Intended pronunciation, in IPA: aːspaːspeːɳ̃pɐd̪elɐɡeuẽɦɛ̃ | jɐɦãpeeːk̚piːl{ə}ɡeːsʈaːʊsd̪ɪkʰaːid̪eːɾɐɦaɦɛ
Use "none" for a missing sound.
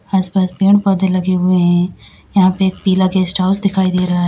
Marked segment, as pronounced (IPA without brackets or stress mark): a